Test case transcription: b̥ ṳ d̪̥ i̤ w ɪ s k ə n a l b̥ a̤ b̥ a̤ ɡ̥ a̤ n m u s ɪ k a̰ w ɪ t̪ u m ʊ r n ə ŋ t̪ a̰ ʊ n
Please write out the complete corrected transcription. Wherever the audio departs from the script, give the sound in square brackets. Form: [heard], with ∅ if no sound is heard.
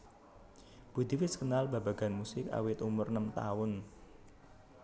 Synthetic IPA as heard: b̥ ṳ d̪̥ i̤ w ɪ s k ə n a l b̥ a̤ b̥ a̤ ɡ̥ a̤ n m u s ɪ k a̰ w ɪ t̪ u m ʊ r n ə [m] t̪ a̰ ʊ n